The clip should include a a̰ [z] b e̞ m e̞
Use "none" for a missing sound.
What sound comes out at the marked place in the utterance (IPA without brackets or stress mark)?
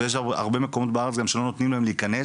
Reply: ʁ